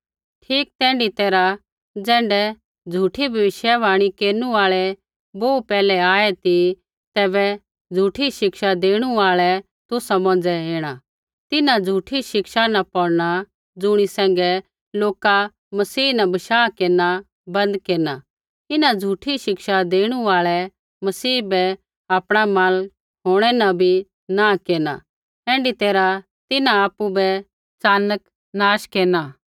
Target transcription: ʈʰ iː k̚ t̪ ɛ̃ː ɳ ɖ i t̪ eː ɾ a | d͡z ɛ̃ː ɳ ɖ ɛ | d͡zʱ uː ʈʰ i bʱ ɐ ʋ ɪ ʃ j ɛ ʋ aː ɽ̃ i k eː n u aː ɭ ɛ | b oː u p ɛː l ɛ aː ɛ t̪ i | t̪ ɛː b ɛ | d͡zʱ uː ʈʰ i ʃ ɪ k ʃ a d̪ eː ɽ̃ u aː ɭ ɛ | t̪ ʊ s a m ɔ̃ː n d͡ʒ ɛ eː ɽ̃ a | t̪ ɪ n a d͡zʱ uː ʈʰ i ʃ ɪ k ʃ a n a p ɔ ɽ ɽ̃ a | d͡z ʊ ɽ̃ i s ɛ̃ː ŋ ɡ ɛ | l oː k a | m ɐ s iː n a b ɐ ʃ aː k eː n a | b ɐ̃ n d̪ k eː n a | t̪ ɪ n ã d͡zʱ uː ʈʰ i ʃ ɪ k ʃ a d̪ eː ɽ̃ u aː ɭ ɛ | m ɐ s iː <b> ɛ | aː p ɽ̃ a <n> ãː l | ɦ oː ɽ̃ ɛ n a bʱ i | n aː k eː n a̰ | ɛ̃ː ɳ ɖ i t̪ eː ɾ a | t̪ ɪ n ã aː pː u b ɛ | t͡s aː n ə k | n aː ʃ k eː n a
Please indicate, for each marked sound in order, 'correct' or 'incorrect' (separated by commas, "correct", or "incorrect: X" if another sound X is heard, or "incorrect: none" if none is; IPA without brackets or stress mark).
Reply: correct, incorrect: m